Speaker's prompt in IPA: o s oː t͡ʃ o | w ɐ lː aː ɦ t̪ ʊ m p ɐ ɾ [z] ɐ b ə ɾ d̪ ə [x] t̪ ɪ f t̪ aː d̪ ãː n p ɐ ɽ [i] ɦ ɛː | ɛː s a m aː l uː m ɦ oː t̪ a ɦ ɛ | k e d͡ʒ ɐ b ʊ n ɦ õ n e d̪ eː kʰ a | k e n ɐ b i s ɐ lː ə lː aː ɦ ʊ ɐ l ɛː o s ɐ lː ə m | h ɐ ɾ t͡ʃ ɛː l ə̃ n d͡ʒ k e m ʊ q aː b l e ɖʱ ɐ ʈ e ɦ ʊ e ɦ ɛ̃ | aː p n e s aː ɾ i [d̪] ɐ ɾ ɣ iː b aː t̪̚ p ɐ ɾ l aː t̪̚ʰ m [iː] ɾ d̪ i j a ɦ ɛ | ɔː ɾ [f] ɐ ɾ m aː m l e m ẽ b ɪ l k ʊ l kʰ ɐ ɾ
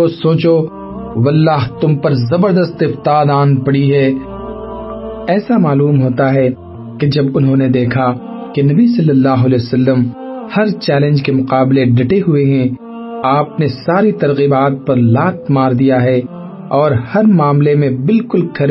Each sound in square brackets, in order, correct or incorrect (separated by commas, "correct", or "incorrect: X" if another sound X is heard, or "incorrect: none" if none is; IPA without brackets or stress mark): correct, incorrect: s, correct, incorrect: t̪, incorrect: aː, incorrect: h